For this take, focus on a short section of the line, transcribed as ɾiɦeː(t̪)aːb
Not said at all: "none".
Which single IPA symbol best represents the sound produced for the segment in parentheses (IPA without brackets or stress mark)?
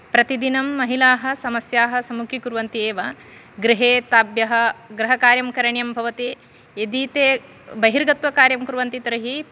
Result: t̪